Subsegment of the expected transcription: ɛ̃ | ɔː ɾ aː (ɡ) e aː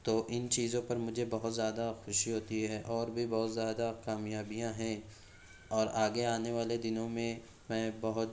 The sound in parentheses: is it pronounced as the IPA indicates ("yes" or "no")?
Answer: yes